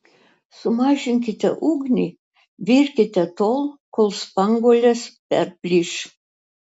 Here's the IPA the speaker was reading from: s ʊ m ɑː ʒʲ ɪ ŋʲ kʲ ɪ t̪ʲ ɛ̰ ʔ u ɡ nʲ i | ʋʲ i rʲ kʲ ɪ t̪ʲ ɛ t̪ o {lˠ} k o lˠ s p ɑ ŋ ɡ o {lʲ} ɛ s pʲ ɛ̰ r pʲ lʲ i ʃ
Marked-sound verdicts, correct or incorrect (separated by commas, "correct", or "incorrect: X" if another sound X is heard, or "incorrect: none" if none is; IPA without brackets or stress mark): correct, correct